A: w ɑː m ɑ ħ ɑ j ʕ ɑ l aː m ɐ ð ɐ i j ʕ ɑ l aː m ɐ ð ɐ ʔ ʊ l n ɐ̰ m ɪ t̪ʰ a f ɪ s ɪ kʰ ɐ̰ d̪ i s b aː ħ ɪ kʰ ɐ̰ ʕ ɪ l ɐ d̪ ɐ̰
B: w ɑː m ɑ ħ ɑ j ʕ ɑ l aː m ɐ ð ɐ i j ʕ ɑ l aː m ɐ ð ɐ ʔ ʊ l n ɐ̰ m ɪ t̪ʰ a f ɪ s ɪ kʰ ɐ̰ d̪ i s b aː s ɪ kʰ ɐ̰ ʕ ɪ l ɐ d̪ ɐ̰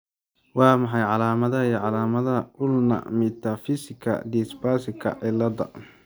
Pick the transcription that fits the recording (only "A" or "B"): B